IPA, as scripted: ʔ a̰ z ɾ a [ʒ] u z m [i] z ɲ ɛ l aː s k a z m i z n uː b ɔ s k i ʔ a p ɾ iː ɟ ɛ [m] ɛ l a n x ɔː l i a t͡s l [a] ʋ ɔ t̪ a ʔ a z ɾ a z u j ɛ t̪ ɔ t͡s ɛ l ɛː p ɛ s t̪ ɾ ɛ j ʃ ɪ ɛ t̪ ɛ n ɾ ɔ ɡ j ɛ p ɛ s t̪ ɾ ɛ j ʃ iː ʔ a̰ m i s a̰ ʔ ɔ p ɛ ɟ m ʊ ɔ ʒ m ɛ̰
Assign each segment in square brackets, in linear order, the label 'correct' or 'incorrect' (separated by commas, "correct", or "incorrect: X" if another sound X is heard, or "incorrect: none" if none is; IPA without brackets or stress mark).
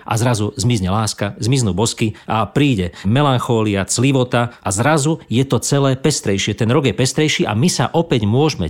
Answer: incorrect: z, correct, correct, incorrect: i